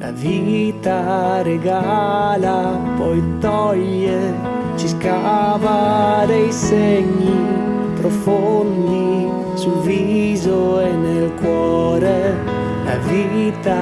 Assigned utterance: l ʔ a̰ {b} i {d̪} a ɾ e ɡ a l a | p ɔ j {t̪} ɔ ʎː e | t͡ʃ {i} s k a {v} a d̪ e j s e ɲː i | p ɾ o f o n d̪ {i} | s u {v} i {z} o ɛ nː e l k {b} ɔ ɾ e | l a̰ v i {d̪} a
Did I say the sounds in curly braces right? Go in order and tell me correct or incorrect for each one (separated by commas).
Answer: incorrect, incorrect, correct, correct, correct, correct, correct, correct, incorrect, incorrect